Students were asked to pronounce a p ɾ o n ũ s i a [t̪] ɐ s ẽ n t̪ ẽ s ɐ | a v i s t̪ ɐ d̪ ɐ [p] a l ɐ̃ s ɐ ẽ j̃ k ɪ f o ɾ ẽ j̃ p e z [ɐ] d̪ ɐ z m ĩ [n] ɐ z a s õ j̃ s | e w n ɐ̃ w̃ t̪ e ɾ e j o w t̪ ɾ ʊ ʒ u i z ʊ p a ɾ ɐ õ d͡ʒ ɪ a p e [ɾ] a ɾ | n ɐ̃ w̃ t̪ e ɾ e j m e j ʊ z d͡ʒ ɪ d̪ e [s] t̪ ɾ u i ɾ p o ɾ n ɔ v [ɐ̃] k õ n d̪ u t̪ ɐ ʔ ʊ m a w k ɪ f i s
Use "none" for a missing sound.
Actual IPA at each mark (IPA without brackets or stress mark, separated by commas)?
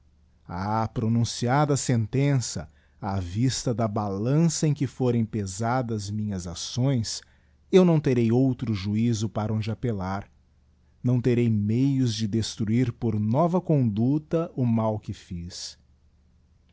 d̪, b, a, ɲ, l, s, ɐ